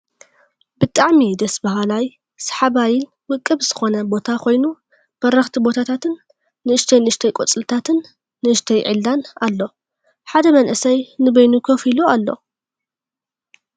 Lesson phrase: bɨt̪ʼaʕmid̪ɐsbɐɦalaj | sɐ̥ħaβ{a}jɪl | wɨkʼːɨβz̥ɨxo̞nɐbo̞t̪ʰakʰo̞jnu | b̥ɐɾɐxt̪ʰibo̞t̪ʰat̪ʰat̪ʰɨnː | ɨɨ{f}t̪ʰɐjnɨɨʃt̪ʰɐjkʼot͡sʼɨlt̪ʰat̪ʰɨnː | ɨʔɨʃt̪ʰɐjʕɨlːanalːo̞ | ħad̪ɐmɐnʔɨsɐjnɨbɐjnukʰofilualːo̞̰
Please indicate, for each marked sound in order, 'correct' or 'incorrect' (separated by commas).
correct, incorrect